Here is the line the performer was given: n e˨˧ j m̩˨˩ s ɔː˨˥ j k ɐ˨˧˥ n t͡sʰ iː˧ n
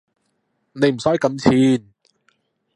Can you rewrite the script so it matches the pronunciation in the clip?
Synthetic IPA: n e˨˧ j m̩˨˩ s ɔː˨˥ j k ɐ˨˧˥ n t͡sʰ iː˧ n